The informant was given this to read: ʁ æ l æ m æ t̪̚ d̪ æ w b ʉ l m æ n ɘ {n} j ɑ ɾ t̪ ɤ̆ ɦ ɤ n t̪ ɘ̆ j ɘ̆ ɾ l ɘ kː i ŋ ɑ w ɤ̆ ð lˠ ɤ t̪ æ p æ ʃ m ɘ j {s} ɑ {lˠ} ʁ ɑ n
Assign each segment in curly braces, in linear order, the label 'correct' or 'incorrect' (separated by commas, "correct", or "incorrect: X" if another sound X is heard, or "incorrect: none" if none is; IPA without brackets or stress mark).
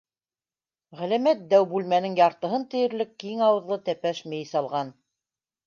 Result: incorrect: ŋ, correct, correct